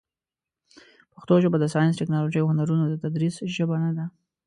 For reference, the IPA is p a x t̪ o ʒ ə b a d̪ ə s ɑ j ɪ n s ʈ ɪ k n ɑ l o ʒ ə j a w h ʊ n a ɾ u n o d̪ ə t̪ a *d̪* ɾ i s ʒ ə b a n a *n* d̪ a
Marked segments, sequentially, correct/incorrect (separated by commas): correct, incorrect